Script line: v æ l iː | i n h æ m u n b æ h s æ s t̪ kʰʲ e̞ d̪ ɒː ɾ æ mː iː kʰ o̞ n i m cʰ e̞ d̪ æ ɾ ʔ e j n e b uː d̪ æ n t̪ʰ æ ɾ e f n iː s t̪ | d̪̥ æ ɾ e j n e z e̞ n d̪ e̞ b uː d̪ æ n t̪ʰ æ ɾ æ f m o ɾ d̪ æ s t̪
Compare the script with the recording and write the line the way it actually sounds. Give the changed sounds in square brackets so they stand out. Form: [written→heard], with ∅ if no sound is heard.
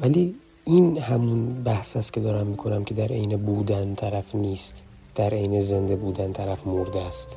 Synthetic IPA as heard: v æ l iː | i n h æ m u n b æ h s æ s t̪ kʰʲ e̞ d̪ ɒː ɾ æ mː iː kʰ o̞ n [i→æ] m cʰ e̞ d̪ æ ɾ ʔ e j n e b uː d̪ æ n t̪ʰ æ ɾ [e→æ] f n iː s t̪ | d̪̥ æ ɾ e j n e z e̞ n d̪ e̞ b uː d̪ æ n t̪ʰ æ ɾ æ f m o ɾ d̪ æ s t̪